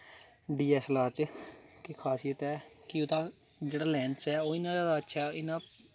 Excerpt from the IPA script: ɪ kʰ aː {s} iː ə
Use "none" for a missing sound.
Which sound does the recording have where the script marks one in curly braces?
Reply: s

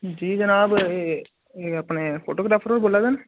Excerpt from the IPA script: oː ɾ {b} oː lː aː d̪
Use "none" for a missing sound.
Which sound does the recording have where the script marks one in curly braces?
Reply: b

